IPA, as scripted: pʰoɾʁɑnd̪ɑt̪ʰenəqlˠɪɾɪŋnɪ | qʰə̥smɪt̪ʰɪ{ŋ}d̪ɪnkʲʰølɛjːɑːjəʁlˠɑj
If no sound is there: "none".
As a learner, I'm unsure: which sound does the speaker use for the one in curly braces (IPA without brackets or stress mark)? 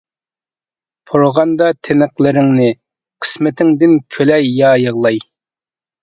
ŋ